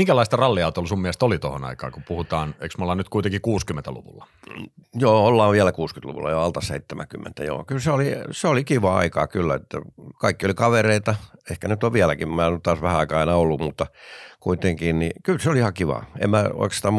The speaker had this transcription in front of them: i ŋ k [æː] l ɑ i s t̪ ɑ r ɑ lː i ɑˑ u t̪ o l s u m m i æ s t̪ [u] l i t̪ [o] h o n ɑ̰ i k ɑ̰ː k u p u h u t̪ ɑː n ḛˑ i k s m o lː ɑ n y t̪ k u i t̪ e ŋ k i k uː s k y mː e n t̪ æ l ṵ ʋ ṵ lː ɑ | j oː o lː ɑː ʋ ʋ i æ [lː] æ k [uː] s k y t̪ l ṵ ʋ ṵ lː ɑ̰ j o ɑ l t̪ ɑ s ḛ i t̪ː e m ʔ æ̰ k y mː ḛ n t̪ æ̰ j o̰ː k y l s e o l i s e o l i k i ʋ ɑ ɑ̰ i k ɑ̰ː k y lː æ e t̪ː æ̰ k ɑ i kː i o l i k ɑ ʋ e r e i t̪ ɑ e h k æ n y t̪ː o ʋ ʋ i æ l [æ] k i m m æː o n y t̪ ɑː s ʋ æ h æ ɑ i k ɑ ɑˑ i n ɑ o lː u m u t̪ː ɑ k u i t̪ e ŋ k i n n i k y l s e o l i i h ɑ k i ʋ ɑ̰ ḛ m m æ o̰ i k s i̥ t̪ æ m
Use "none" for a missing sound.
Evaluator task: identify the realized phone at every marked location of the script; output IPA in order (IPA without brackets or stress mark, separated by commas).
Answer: æ, o, o, l, uː, æ